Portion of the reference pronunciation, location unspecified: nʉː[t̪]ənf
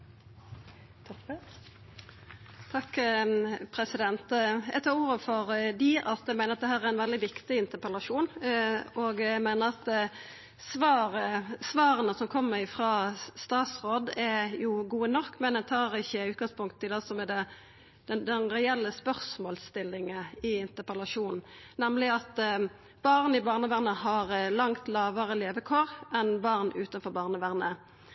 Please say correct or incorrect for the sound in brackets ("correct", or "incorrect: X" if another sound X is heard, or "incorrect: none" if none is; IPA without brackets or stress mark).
correct